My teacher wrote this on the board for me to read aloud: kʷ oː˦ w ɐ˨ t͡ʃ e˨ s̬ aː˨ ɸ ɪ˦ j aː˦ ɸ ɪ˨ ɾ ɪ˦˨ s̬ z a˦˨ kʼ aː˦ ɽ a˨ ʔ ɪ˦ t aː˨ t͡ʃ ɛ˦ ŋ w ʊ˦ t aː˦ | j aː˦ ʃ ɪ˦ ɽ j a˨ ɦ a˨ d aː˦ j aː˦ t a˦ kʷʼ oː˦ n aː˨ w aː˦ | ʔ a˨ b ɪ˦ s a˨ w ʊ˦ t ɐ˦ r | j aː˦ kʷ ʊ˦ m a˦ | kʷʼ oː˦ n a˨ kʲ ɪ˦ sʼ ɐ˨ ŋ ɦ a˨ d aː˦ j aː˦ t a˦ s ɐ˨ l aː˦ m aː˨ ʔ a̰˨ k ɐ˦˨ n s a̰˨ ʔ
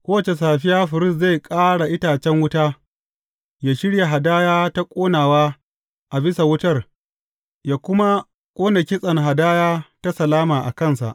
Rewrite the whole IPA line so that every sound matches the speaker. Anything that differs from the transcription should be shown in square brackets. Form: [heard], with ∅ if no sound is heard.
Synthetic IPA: kʷ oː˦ w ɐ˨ t͡ʃ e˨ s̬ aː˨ ɸ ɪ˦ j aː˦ ɸ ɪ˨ ɾ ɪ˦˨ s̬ z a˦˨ kʼ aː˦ ɽ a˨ ʔ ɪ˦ t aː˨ t͡ʃ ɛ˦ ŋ w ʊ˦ t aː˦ | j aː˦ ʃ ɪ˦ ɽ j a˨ ɦ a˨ d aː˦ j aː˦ t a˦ kʷʼ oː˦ n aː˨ w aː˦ | ʔ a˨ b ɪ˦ s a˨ w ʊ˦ t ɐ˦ r | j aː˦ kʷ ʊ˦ m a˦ | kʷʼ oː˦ n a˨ kʲ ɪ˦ sʼ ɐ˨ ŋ ɦ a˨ d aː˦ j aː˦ t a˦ s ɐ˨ l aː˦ m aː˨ ʔ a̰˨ k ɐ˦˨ n s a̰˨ ʔ